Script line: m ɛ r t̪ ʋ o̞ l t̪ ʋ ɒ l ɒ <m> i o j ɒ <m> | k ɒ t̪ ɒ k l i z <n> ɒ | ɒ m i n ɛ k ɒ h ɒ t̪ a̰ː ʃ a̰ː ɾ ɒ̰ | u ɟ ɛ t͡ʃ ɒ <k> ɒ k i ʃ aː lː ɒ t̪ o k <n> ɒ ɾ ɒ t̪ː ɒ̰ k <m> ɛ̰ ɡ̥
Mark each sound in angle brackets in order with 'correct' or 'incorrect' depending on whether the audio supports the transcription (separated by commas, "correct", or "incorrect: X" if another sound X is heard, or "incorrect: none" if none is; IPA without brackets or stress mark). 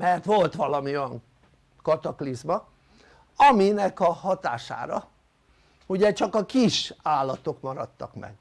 correct, incorrect: ŋ, incorrect: m, correct, incorrect: m, correct